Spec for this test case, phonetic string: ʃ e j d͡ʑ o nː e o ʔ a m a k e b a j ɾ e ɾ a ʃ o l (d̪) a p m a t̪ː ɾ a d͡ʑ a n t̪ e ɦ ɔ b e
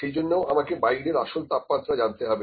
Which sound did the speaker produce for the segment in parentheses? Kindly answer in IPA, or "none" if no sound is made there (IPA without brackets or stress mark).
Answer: t̪